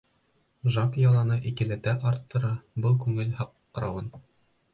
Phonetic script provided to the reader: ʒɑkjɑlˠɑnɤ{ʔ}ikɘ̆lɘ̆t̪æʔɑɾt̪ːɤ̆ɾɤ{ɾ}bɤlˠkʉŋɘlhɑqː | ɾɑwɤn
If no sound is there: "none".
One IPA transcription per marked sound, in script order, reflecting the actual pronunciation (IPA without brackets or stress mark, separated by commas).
ʔ, none